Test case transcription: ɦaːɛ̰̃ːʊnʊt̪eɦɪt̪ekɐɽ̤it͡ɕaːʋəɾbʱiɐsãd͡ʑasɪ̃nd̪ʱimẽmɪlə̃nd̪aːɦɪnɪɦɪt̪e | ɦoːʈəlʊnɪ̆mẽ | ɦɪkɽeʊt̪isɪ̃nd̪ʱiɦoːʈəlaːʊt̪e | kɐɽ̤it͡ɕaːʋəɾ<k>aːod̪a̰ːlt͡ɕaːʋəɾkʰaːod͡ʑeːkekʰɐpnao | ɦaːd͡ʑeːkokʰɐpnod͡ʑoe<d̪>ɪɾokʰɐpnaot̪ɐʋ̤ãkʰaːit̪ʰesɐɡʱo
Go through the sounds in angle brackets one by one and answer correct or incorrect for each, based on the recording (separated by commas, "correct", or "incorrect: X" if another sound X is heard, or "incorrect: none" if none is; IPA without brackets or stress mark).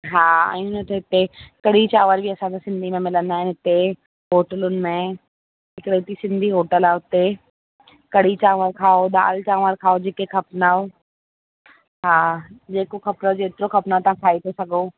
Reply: incorrect: kʰ, incorrect: t̪